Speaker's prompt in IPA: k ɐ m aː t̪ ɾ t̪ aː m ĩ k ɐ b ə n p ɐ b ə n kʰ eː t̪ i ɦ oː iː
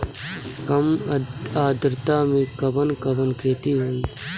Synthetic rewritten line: k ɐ m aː d̪ ɾ t̪ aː m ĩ k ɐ b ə n k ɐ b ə n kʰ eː t̪ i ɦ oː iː